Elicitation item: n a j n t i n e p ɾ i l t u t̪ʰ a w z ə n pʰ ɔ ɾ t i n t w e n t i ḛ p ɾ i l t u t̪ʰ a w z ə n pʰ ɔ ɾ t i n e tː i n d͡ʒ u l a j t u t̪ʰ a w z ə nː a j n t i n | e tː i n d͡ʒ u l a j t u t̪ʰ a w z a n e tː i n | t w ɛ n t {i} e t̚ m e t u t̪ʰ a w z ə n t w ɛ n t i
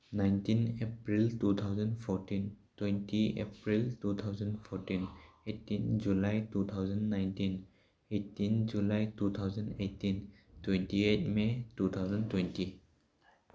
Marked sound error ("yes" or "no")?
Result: no